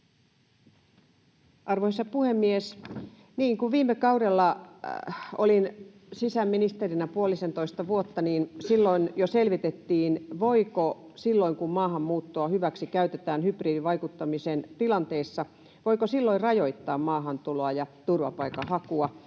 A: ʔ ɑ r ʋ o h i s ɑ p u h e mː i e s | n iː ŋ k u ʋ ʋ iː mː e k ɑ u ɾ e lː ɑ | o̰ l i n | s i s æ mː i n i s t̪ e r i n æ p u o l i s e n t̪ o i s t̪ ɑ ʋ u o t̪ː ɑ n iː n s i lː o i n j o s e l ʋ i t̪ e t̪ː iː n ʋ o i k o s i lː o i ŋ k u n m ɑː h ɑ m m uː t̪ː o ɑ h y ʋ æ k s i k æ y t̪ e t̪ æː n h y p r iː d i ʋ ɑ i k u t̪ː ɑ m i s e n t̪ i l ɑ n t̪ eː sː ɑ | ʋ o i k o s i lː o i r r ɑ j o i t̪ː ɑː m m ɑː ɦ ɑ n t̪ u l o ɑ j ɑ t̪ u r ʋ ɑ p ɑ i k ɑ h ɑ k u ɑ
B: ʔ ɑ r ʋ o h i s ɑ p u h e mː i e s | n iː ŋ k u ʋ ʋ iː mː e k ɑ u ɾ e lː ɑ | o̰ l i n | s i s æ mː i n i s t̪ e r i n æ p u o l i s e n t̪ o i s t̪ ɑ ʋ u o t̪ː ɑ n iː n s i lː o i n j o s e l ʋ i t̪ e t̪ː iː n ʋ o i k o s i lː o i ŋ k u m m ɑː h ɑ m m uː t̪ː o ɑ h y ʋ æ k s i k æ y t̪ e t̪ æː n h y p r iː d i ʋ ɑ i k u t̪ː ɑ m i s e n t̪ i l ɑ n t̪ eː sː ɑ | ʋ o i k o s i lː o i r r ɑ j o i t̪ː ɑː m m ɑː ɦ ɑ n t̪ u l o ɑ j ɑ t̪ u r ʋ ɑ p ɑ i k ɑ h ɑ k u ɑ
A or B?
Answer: B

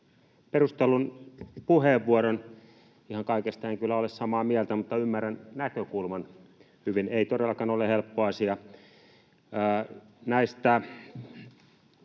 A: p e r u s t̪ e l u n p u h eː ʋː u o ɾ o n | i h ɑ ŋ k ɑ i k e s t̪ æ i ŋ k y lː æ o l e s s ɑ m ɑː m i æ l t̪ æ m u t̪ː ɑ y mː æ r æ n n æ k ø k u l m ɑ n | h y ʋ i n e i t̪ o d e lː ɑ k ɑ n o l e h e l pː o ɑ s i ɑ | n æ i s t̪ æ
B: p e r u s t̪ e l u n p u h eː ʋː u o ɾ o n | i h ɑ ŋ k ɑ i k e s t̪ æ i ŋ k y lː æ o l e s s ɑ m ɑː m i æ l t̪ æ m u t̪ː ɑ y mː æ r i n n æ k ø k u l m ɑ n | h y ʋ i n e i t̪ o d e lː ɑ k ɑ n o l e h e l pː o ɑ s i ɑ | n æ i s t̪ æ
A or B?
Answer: A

